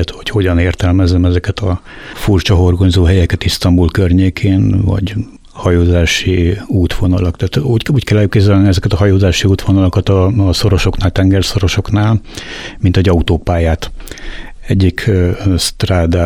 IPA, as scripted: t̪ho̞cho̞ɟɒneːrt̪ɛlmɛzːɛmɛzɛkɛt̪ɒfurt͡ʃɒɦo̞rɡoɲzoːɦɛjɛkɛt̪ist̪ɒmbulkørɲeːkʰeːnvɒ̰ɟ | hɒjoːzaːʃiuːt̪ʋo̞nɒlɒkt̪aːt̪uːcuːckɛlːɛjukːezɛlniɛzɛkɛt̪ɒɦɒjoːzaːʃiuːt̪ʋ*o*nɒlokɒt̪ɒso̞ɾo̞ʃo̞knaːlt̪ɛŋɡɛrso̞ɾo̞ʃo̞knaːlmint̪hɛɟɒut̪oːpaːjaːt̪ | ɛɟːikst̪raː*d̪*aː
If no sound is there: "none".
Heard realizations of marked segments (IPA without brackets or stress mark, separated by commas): o, d̪